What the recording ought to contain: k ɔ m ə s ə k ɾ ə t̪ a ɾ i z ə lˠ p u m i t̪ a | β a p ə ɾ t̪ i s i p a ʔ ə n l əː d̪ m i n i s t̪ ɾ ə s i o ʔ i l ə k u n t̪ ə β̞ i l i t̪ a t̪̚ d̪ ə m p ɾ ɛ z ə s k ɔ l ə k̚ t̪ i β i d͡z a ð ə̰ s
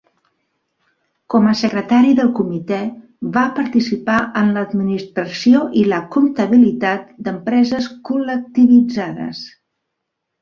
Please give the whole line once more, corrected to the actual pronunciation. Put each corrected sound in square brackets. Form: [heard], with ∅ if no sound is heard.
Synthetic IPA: k ɔ m ə s ə k ɾ ə t̪ a ɾ i [ð] ə lˠ [k] u m i t̪ [ɛ] | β a p ə ɾ t̪ i s i p a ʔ ə n l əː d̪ m i n i s t̪ ɾ ə s i o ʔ i l ə k u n t̪ ə β̞ i l i t̪ a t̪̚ d̪ ə m p ɾ ɛ z ə s k [u] l ə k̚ t̪ i β i d͡z a ð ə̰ s